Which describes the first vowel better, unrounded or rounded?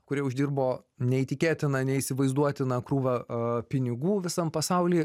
rounded